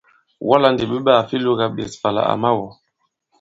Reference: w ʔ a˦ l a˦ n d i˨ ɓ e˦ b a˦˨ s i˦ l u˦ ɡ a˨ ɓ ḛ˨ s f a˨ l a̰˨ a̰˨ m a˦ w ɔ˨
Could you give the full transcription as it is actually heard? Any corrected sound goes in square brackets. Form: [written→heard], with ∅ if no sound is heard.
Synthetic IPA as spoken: w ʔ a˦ l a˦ n d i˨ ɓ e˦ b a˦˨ [s→f] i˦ l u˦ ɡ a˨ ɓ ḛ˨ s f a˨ l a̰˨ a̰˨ m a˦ w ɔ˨